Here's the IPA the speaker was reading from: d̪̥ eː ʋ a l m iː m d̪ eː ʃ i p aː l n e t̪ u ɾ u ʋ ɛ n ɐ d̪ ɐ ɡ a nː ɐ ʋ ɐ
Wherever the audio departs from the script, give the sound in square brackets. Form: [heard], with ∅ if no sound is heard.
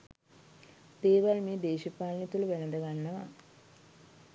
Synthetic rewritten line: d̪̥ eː ʋ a l m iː [∅] d̪ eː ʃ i p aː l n [i] t̪ u [l] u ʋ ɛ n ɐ d̪ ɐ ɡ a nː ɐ ʋ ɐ